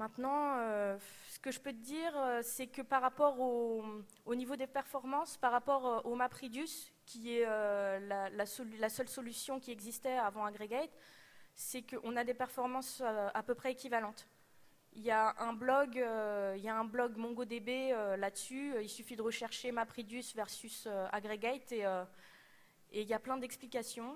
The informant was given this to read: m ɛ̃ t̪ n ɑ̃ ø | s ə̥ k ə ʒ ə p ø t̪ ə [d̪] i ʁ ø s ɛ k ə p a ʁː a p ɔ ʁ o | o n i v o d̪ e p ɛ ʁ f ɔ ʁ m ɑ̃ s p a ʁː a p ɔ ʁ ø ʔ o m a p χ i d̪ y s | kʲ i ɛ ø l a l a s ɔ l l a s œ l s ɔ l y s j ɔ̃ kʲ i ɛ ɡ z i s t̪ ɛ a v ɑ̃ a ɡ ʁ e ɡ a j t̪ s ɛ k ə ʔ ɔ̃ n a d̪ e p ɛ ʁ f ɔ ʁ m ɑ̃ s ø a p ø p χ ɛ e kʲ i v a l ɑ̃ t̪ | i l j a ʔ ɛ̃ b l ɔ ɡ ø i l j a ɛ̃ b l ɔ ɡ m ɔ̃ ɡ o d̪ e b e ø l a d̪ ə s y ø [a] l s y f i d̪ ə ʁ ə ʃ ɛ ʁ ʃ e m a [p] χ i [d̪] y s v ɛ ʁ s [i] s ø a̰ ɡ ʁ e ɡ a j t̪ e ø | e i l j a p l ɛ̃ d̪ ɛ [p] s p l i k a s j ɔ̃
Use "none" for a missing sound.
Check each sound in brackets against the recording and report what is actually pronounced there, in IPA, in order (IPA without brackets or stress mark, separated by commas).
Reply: d̪, i, p, d̪, y, k